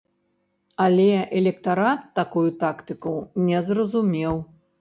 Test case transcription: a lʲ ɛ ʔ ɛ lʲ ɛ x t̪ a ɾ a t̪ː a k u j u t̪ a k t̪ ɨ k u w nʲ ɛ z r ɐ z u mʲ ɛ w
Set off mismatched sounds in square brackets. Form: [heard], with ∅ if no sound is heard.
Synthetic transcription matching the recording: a lʲ ɛ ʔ ɛ lʲ ɛ [k] t̪ a ɾ a t̪ː a k u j u t̪ a k t̪ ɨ k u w nʲ ɛ z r ɐ z u mʲ ɛ w